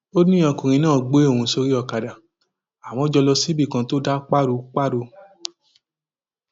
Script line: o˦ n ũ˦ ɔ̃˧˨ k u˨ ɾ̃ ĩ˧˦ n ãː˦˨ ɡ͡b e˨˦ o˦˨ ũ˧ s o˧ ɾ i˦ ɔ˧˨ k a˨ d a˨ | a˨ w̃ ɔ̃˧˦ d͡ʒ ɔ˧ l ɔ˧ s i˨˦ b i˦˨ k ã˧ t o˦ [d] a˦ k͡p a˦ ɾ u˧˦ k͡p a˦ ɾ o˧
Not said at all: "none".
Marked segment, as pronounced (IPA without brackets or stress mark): d